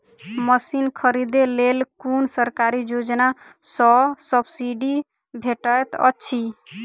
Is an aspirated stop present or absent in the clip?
present